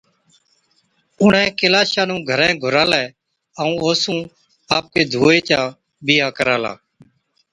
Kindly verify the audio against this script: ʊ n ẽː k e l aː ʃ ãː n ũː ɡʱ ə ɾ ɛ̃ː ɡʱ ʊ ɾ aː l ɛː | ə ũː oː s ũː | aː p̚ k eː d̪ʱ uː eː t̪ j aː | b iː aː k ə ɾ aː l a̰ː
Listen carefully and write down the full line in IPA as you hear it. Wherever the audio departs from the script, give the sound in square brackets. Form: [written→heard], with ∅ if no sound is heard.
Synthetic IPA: ʊ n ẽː k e l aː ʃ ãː n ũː ɡʱ ə ɾ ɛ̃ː ɡʱ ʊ ɾ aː l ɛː | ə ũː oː s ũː | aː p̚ k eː d̪ʱ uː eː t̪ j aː | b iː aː k ə ɾ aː l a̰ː